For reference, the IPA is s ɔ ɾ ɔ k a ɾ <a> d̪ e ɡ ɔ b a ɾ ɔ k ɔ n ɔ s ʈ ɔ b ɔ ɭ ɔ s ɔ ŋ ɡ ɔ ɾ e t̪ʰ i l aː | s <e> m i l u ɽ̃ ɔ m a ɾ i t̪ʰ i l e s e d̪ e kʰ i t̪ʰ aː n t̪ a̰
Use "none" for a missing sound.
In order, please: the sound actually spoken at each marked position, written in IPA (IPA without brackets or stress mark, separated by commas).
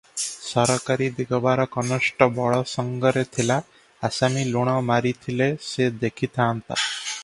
i, a